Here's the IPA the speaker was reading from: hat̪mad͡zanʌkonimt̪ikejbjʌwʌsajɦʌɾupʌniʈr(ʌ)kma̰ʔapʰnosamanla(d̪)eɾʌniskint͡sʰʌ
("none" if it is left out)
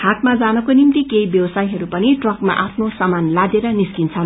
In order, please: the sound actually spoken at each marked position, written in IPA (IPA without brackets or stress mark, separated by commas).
ʌ, d̪